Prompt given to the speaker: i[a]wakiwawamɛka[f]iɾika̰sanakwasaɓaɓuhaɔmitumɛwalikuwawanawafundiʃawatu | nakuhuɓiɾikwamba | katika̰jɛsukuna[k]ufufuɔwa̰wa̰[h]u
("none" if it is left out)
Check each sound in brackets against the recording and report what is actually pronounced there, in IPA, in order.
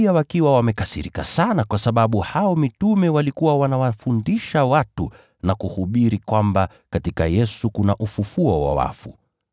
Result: a, s, ʔ, f

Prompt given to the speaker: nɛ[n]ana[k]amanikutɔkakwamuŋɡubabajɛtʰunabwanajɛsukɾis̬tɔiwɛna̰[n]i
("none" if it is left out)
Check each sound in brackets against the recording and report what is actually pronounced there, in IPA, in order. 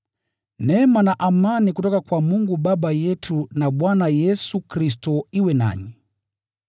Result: m, ʔ, ɲ

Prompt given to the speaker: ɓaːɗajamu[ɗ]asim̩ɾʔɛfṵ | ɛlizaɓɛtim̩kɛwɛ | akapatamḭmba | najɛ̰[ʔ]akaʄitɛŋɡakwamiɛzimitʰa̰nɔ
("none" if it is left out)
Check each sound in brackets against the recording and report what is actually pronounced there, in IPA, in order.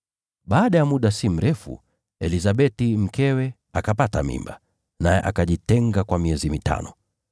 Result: ɗ, ʔ

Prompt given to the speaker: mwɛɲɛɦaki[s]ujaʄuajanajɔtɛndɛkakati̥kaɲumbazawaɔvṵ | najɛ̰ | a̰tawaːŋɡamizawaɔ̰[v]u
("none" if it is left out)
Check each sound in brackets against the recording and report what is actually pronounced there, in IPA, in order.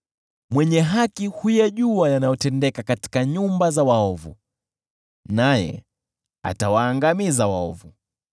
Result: h, v

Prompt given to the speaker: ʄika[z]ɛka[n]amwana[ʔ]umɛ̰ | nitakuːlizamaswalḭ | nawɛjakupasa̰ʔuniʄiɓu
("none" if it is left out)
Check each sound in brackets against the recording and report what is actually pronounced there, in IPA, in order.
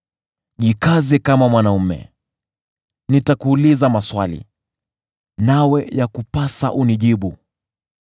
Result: z, m, none

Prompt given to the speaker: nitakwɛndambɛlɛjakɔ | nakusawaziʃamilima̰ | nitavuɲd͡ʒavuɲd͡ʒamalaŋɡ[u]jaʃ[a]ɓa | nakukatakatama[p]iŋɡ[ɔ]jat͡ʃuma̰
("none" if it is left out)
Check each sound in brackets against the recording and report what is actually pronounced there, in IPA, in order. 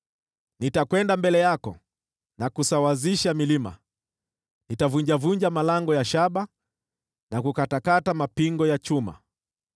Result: ɔ, a, p, ɔ

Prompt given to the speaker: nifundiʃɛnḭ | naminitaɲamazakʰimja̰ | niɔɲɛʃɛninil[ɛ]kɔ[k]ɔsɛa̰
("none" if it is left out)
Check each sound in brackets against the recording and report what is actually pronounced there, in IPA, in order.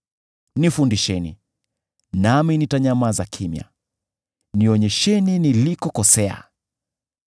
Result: i, k

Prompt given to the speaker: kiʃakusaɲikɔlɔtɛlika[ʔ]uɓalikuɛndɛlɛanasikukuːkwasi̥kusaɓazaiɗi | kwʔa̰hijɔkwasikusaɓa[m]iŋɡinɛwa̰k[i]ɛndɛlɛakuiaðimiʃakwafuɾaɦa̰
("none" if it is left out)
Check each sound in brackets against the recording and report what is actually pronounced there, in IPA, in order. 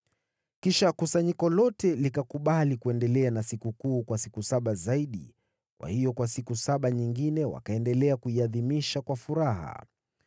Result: k, ɲ, a

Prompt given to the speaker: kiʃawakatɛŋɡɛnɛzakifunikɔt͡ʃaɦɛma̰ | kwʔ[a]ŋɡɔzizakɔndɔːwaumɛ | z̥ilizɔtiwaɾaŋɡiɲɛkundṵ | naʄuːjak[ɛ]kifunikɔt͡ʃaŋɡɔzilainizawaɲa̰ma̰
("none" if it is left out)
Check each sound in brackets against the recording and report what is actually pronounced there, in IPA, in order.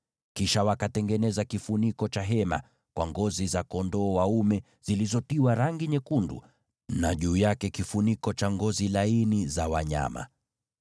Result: a, ɛ

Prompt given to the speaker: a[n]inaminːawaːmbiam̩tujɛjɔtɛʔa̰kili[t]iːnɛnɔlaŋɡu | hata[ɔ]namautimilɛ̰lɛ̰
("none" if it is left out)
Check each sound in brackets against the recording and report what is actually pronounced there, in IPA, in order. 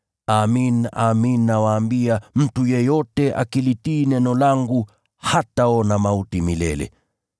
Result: m, t, ɔ

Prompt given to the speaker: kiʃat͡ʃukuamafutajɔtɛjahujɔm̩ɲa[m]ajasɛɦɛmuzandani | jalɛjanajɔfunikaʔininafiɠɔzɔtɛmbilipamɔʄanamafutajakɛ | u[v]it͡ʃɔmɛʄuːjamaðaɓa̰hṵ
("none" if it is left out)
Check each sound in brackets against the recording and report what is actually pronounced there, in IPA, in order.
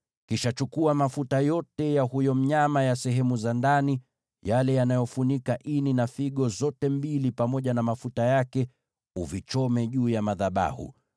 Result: m, v

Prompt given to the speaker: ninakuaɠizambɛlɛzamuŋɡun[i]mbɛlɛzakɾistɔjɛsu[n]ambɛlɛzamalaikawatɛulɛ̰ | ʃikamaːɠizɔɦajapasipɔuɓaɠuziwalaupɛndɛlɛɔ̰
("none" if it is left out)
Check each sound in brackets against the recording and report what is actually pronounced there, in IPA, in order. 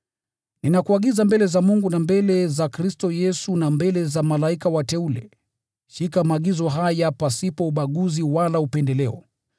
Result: a, n

